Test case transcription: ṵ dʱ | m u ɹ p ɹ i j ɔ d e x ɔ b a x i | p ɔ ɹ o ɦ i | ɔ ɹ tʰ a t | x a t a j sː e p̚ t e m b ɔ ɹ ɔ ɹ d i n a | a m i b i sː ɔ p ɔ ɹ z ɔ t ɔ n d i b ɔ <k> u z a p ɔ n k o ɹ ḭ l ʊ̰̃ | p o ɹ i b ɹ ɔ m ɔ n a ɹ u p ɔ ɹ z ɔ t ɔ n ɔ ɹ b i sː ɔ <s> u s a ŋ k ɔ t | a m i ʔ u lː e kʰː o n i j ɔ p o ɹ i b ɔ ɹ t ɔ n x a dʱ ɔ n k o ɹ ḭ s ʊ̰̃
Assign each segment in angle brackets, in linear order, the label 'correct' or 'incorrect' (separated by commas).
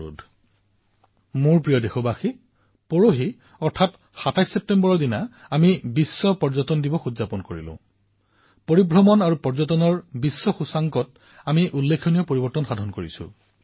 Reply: incorrect, incorrect